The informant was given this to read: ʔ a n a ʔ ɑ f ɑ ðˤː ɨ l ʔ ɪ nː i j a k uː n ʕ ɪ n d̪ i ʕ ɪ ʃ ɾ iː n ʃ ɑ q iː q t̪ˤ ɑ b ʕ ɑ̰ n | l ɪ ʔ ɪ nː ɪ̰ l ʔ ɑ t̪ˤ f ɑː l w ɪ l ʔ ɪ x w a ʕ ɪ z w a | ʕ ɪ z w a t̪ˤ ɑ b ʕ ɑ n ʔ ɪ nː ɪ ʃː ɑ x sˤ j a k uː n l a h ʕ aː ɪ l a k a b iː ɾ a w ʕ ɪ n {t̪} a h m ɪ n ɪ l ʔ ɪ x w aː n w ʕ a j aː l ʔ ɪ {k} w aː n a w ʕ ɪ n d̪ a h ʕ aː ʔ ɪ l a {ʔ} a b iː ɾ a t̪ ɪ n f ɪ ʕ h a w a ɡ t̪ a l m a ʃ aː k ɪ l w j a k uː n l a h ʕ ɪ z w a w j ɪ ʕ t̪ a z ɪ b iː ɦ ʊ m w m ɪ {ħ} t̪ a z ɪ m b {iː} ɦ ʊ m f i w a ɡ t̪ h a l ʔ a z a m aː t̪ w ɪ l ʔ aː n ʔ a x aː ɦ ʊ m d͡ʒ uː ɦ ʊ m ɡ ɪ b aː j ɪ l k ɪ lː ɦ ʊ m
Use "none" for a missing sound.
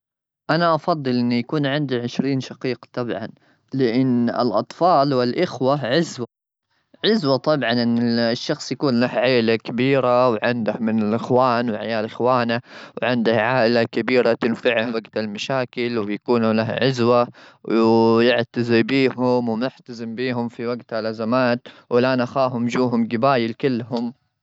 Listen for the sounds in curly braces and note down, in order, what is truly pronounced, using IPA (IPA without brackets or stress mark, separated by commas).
d̪, x, k, ħ, iː